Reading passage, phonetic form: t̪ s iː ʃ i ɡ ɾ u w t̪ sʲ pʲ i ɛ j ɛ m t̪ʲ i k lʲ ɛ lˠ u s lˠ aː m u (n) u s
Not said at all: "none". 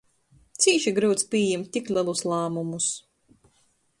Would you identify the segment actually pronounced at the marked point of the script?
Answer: m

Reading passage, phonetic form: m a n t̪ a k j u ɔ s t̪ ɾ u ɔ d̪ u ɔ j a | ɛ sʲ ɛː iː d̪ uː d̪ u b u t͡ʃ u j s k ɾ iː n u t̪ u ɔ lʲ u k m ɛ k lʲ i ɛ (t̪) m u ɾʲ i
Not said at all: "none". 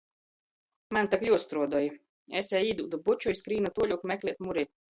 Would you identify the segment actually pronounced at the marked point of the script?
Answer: t̪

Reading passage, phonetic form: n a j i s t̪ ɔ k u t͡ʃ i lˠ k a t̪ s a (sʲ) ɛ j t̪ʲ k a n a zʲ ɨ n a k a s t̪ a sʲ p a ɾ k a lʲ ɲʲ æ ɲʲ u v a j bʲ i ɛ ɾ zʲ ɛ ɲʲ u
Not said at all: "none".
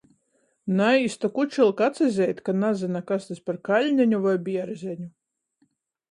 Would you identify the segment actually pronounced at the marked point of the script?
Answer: zʲ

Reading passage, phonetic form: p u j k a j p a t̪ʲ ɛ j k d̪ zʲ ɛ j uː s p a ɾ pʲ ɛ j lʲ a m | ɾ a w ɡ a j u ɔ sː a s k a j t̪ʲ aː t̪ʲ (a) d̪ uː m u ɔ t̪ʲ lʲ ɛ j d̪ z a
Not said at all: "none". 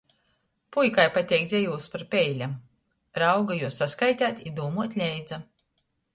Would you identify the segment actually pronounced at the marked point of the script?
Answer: i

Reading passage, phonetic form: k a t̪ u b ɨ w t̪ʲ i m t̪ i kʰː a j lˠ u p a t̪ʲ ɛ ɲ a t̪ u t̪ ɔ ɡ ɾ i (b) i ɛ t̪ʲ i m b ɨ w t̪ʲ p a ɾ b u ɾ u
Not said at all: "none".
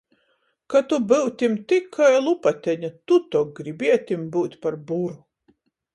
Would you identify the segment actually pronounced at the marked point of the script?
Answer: b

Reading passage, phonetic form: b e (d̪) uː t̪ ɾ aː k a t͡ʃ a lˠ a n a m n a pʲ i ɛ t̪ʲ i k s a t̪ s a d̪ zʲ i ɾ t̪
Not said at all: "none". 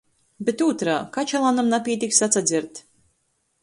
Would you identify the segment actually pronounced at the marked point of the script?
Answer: t̪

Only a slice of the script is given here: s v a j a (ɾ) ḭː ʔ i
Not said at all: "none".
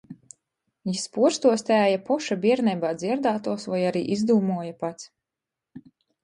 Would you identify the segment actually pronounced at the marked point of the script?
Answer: ɾ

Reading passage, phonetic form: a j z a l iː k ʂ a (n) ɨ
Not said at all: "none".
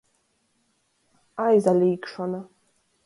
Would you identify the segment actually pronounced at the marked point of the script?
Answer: n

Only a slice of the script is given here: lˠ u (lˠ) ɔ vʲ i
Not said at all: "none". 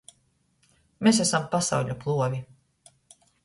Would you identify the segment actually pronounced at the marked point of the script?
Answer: none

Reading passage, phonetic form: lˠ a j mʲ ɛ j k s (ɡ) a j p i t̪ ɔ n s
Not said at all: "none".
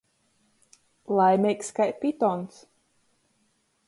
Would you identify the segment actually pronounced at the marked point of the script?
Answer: k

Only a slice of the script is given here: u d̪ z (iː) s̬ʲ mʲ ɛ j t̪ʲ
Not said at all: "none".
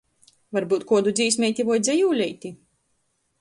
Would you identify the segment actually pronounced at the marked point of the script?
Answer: iː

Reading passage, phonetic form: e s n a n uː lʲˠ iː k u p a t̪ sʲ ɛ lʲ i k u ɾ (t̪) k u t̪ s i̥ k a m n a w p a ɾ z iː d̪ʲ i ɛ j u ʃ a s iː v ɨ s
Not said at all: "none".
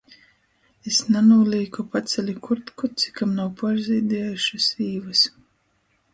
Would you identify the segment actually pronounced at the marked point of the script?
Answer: t̪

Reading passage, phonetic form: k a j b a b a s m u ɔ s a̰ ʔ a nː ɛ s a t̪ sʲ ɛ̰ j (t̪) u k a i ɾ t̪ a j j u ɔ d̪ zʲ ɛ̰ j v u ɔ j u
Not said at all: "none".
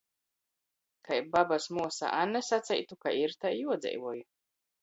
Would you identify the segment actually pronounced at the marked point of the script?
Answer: t̪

